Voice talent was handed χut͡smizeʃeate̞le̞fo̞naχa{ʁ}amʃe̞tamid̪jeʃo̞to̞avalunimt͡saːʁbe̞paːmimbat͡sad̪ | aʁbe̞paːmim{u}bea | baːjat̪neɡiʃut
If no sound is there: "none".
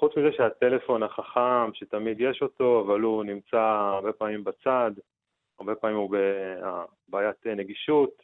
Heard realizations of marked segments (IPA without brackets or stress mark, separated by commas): χ, u